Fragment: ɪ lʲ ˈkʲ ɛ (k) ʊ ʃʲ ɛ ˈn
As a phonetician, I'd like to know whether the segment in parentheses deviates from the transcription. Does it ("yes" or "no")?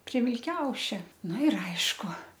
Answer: yes